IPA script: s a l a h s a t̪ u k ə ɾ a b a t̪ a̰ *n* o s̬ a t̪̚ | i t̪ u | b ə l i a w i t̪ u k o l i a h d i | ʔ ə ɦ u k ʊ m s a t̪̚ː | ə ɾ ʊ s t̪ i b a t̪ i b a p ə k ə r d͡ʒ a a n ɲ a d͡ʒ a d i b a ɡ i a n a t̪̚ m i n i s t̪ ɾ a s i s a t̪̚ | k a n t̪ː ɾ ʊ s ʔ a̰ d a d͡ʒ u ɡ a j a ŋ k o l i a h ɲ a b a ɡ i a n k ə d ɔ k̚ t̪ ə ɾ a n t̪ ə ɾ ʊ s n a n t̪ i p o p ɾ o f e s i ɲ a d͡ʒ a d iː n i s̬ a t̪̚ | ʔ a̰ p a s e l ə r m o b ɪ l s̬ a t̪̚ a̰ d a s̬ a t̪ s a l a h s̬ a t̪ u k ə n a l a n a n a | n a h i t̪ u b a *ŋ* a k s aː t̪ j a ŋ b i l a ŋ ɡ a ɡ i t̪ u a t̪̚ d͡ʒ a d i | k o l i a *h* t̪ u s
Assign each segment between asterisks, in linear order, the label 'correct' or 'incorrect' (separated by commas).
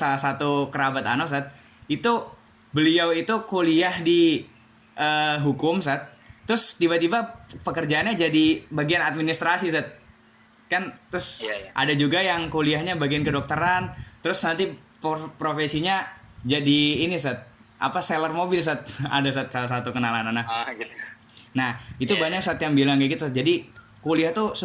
correct, incorrect, correct